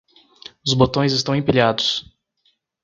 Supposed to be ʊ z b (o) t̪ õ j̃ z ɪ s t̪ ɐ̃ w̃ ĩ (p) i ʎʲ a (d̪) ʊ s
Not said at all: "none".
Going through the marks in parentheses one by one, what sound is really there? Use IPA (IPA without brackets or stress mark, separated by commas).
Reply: o, p, d̪